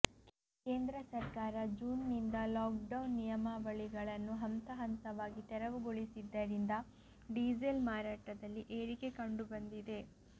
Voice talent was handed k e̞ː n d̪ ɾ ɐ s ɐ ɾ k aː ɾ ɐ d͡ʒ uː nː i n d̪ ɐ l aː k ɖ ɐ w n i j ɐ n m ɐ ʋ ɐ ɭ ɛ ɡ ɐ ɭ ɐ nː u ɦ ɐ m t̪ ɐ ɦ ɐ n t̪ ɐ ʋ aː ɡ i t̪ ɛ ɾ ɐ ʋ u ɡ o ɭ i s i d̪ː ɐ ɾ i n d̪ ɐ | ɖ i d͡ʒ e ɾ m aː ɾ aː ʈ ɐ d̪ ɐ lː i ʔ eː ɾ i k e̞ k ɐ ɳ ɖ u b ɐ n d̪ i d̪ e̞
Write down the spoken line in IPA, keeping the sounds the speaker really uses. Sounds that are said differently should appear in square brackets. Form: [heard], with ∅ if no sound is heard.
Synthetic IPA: k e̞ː n d̪ ɾ ɐ s ɐ ɾ k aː ɾ ɐ d͡ʒ uː nː i n d̪ ɐ l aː k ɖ ɐ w [nː] i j ɐ [∅] m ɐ ʋ ɐ ɭ [i] ɡ ɐ ɭ ɐ nː u ɦ ɐ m t̪ ɐ ɦ ɐ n t̪ ɐ ʋ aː ɡ i t̪ ɛ ɾ ɐ ʋ u ɡ o ɭ i s i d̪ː ɐ ɾ i n d̪ ɐ | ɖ i d͡ʒ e [l] m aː ɾ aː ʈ ɐ d̪ ɐ lː i ʔ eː ɾ i k e̞ k ɐ ɳ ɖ u b ɐ n d̪ i d̪ e̞